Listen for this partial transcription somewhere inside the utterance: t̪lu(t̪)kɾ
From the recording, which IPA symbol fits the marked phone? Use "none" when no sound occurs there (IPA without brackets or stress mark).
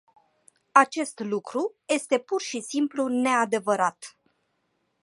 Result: none